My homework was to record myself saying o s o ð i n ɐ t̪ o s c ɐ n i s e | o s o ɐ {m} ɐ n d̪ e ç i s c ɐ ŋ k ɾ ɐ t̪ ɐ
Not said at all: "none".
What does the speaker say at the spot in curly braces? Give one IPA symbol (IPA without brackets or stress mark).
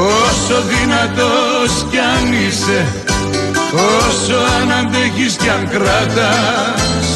n